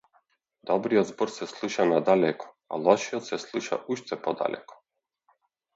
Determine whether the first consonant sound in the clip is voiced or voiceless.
voiced